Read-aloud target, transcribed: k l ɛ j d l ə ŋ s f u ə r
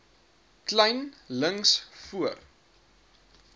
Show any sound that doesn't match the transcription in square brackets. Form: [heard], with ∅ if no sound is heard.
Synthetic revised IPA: k l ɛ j [n] l ə ŋ s f u ə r